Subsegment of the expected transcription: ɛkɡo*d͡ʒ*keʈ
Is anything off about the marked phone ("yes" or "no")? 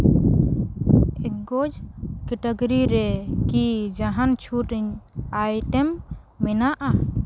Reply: no